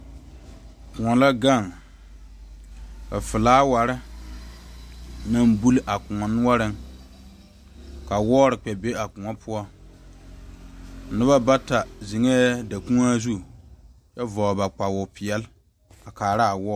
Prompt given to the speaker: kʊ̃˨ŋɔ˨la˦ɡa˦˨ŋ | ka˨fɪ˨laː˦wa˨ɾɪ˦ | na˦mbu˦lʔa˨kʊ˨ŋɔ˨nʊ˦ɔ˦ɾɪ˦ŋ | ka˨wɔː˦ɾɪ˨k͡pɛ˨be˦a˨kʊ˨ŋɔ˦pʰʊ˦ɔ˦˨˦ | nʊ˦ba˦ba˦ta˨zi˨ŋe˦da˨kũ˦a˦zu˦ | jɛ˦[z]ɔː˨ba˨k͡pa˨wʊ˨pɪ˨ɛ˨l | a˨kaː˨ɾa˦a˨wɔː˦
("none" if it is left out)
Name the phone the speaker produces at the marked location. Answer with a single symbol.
v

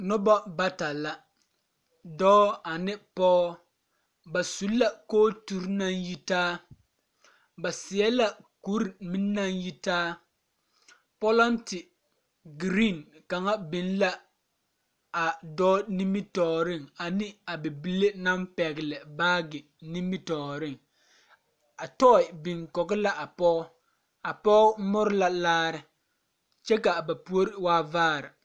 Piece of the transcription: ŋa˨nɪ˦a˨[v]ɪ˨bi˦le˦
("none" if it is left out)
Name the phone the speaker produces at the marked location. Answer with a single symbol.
b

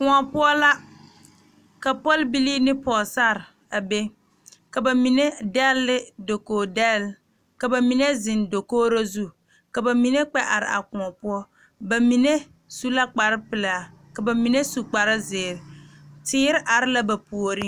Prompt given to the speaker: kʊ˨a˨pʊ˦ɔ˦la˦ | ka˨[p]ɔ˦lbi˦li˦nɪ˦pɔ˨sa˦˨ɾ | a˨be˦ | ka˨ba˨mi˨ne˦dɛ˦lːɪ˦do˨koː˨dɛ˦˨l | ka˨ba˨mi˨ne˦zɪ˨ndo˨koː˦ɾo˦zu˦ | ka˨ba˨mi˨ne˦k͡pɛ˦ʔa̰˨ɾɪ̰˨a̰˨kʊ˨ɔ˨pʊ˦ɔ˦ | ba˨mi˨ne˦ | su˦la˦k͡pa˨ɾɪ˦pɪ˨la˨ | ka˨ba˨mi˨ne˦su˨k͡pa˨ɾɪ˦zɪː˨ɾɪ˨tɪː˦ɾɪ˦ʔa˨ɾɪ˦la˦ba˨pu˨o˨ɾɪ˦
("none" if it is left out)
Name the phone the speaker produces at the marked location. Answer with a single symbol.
p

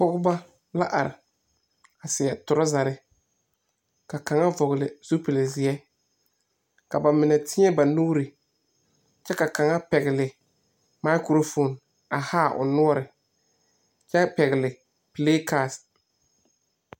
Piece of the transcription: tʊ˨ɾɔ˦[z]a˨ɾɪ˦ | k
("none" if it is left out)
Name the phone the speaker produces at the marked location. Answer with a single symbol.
z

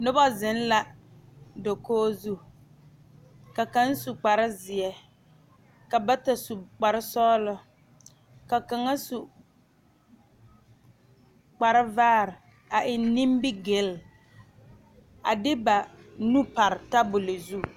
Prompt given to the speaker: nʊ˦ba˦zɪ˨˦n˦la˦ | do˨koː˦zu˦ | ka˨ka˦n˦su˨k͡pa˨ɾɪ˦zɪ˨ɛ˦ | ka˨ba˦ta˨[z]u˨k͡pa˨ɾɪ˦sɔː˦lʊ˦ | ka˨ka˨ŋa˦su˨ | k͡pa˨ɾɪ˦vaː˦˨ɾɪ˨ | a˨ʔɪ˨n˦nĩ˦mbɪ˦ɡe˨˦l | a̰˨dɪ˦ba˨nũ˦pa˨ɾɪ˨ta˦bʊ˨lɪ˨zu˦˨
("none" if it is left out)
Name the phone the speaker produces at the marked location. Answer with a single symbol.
s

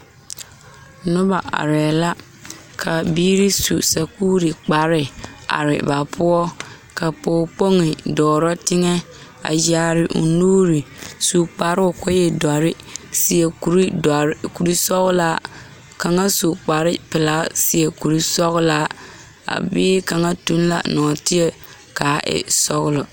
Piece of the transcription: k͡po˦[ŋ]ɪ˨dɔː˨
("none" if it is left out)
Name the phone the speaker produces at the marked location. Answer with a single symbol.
ŋ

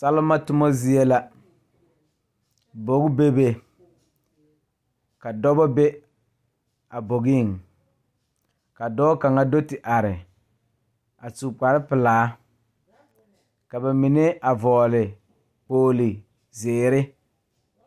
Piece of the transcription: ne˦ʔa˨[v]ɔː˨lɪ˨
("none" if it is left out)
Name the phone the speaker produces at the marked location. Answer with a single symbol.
v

